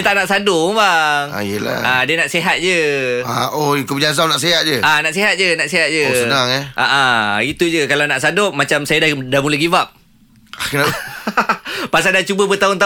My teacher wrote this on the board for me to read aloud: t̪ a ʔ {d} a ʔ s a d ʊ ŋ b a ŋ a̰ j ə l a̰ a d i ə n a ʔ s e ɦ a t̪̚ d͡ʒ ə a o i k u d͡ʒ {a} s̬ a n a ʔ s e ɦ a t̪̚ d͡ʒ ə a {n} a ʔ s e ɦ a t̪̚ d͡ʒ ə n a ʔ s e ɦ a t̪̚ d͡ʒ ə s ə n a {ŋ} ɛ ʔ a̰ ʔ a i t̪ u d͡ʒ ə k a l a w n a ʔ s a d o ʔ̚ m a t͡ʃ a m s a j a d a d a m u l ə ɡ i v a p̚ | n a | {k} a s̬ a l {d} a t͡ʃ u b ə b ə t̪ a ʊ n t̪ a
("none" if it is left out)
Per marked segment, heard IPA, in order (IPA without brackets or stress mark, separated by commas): n, a, n, ŋ, p, d